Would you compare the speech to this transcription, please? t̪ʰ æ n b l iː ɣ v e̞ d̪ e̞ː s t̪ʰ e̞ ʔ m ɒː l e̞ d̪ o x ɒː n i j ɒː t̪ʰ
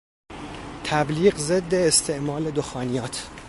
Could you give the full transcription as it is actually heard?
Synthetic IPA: t̪ʰ æ b l iː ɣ z e̞ d̪ː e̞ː s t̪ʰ e̞ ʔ m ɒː l e̞ d̪ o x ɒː n i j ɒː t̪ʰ